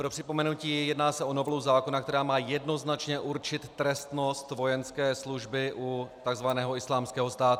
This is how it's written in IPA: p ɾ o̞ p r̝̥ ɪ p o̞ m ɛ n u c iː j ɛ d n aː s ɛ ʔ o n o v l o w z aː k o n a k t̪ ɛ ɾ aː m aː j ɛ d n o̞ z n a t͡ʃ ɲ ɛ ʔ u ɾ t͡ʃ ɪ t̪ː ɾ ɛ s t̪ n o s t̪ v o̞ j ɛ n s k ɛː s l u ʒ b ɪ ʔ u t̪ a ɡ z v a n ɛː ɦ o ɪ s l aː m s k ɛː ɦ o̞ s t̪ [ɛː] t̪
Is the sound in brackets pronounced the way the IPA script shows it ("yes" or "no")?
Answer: no